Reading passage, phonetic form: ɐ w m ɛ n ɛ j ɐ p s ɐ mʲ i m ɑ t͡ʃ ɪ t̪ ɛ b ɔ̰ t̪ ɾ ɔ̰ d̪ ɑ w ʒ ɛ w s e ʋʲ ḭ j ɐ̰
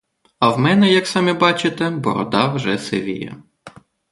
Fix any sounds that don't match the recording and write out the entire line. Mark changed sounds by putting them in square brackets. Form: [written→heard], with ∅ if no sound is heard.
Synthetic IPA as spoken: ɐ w m ɛ n ɛ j ɐ [p→k] s [ɐ→ɑ] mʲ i [m→b] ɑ t͡ʃ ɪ t̪ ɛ b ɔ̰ [t̪→∅] ɾ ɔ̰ d̪ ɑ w ʒ ɛ [w→∅] s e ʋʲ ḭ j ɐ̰